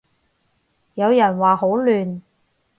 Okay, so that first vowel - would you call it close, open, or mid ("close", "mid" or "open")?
open